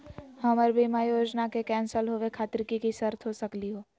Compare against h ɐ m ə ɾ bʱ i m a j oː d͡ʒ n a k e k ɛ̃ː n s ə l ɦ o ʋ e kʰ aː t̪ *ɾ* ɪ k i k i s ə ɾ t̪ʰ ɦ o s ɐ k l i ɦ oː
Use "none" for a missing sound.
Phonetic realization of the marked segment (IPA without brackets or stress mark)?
ɾ